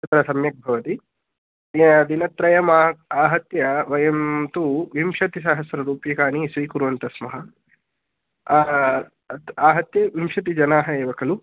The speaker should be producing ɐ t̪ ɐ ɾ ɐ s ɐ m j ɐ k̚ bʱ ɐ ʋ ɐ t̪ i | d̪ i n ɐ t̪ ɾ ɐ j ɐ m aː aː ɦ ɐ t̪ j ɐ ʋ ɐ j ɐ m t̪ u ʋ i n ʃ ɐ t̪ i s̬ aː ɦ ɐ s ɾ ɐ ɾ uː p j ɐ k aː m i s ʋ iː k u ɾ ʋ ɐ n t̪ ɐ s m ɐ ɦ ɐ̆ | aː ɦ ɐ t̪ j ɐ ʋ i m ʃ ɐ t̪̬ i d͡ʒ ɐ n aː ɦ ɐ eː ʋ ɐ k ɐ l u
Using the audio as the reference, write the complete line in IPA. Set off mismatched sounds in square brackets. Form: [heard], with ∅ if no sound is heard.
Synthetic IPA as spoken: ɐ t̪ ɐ ɾ ɐ s ɐ m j ɐ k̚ bʱ ɐ ʋ ɐ t̪ i | d̪ i n ɐ t̪ ɾ ɐ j ɐ m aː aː ɦ ɐ t̪ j ɐ ʋ ɐ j ɐ m t̪ u ʋ i [m] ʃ ɐ t̪ i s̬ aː ɦ ɐ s ɾ ɐ ɾ uː p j ɐ k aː [n] i s ʋ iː k u ɾ ʋ ɐ n t̪ ɐ s m ɐ ɦ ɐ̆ | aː ɦ ɐ t̪ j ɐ ʋ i m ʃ ɐ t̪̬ i d͡ʒ ɐ n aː ɦ ɐ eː ʋ ɐ k ɐ l u